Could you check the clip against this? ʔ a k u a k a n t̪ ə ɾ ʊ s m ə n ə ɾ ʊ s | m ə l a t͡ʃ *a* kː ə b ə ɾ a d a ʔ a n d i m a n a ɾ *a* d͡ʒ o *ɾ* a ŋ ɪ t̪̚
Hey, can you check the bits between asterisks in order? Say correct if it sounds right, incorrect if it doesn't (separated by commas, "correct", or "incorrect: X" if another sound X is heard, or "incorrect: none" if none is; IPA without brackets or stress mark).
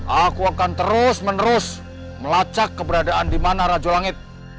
correct, correct, incorrect: l